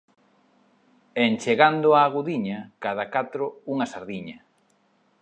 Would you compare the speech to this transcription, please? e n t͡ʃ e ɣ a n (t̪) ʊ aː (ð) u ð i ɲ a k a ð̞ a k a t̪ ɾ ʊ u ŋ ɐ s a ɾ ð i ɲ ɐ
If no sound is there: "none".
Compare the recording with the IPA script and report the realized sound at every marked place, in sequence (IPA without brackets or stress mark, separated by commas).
d̪, ɣ